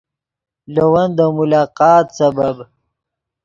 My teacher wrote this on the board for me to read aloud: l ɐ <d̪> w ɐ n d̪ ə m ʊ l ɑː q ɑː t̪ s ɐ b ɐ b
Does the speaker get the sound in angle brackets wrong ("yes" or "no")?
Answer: yes